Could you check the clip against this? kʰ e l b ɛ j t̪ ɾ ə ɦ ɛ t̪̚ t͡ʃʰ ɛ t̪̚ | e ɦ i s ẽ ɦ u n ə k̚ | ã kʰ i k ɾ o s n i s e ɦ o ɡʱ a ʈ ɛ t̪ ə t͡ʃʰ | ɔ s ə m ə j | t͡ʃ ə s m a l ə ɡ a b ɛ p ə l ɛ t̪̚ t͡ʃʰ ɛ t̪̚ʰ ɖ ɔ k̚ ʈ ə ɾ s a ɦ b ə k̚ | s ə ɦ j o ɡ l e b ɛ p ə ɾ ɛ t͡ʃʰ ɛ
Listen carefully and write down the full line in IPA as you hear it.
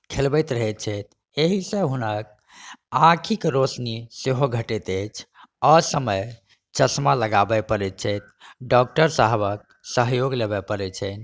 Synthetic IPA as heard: kʰ e l b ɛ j t̪ ɾ ə ɦ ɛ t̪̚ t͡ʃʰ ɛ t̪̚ | e ɦ i s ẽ ɦ u n ə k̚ | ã kʰ i k ɾ o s n i s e ɦ o ɡʱ ə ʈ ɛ t̪ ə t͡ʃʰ | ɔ s ə m ə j | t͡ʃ ə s m a l ə ɡ a b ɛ p ə ɾ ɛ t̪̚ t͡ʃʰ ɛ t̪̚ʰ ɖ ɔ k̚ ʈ ə ɾ s a ɦ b ə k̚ | s ə ɦ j o ɡ l e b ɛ p ə ɾ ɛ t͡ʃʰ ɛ